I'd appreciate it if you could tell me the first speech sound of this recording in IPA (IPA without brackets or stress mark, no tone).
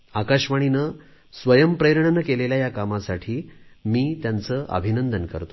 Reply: a